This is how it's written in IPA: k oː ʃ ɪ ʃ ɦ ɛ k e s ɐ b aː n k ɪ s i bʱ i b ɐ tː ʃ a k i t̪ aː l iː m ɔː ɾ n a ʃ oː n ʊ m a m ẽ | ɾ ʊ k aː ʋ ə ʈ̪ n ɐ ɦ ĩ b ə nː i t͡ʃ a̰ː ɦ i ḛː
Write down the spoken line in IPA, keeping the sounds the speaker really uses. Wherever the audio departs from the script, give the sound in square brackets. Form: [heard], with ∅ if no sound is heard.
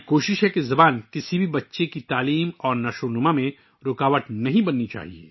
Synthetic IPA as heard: k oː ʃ ɪ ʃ ɦ ɛ k e [z] ɐ b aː n k ɪ s i bʱ i b ɐ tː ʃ [e] k i t̪ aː l iː m ɔː ɾ n [ɐ] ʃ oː n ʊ m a m ẽ | ɾ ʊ k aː ʋ ə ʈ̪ n ɐ ɦ ĩ b [ɐ] nː i t͡ʃ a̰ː ɦ i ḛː

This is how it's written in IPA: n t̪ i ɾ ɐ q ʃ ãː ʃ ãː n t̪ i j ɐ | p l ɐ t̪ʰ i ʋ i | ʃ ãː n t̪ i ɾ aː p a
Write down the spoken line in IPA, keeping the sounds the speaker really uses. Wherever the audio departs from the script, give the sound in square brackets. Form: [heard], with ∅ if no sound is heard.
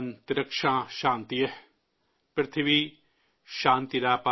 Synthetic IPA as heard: n t̪ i ɾ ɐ [k] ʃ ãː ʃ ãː n t̪ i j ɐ | p [ɾ] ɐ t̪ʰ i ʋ i | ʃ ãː n t̪ i ɾ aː p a

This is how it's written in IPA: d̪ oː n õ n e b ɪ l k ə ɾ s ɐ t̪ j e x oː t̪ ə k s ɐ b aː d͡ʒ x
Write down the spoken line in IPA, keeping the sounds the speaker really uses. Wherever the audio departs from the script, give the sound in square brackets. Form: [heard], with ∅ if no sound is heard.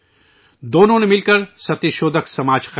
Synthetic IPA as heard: d̪ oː n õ n e [m] ɪ l k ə ɾ s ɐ t̪ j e [ʃ] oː [d̪] ə k s ɐ [m] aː d͡ʒ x

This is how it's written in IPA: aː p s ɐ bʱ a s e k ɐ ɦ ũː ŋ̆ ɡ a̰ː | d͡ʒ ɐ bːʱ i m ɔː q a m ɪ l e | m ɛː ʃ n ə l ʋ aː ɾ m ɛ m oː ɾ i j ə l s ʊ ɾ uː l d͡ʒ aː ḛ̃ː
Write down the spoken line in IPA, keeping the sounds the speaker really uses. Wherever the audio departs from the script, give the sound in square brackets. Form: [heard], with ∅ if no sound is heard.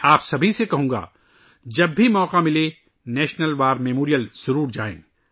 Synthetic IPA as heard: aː p s ɐ bʱ [i] s e k ɐ ɦ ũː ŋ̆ ɡ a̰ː | d͡ʒ ɐ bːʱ i m ɔː q a m ɪ l e | [n] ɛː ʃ n ə l ʋ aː ɾ m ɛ m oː ɾ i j ə l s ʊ ɾ uː [ɾ] d͡ʒ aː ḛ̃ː

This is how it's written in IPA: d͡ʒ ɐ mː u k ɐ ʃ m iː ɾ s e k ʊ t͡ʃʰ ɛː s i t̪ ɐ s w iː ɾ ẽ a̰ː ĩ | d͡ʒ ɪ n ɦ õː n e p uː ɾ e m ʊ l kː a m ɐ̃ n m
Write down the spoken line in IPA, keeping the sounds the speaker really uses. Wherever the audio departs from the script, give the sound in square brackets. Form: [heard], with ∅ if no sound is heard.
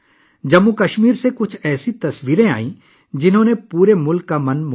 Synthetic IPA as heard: d͡ʒ ɐ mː u k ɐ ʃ m iː ɾ s e k ʊ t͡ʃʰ ɛː s i t̪ ɐ s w iː ɾ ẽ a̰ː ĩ | d͡ʒ ɪ n ɦ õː n e p uː ɾ e m ʊ l kː a m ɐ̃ n m

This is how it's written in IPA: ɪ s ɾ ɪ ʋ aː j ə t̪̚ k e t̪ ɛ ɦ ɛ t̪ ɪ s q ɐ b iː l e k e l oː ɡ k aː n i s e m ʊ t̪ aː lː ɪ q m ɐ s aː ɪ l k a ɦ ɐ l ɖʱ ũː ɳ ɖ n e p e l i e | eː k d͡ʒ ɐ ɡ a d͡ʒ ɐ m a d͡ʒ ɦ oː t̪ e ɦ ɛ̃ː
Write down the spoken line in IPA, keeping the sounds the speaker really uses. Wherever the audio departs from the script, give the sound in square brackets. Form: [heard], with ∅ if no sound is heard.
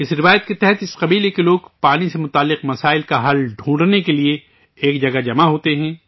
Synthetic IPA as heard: ɪ s ɾ ɪ ʋ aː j ə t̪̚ k e t̪ ɛ ɦ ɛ t̪ ɪ s q ɐ b iː l e k e l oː ɡ [p] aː n i s e m ʊ t̪ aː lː ɪ q m ɐ s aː ɪ l k a ɦ ɐ l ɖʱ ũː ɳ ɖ n e [k] e l i e | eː k d͡ʒ ɐ ɡ a d͡ʒ ɐ m a [∅] ɦ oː t̪ e ɦ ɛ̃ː

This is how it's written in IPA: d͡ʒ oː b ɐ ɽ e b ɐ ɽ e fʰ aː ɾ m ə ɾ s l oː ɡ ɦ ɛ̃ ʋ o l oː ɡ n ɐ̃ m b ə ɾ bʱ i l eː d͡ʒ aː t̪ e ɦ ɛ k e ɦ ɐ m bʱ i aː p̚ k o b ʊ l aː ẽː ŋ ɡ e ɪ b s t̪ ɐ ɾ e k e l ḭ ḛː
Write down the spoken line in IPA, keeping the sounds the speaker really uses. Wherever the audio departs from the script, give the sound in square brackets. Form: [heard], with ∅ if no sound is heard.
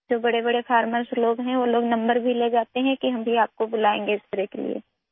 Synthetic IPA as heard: d͡ʒ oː b ɐ ɽ e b ɐ ɽ e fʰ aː ɾ m ə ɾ s l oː ɡ ɦ ɛ̃ ʋ o l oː ɡ n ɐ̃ m b ə ɾ bʱ i l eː d͡ʒ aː t̪ e ɦ [ɛ̃] k [i] ɦ ɐ m bʱ i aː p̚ k o b ʊ l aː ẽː ŋ ɡ e ɪ [∅] s t̪ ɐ ɾ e k e l ḭ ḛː

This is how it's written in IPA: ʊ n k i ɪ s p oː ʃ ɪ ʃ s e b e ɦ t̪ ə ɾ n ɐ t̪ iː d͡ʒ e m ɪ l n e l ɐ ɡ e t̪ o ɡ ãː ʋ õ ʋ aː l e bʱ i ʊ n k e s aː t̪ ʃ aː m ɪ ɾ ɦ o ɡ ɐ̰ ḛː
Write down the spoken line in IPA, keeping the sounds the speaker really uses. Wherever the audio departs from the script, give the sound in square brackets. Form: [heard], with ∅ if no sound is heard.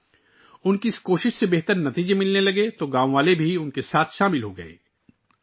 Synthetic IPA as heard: ʊ n k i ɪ s [k] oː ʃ ɪ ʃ s e b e ɦ t̪ ə ɾ n ɐ t̪ iː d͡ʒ e m ɪ l n e l ɐ ɡ e t̪ o ɡ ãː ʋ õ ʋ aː l e bʱ i ʊ n k e s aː [t̪ʰ] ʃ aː m ɪ [l] ɦ o ɡ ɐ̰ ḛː

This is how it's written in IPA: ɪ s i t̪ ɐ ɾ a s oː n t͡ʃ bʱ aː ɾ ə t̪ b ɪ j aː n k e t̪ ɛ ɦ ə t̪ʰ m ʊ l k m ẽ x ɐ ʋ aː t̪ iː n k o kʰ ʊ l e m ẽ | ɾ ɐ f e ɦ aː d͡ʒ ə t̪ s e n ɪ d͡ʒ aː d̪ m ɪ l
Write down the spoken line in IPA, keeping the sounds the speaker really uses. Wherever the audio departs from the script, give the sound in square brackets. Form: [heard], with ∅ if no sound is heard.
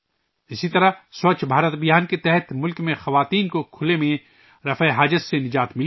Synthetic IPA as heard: ɪ s i t̪ ɐ ɾ a s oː [∅] t͡ʃ bʱ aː ɾ ə t̪ b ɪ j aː n k e t̪ ɛ ɦ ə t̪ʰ m ʊ l k m ẽ x ɐ ʋ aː t̪ iː n k o kʰ ʊ l e m ẽ | ɾ ɐ f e ɦ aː d͡ʒ ə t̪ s e n ɪ d͡ʒ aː [t̪] m ɪ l

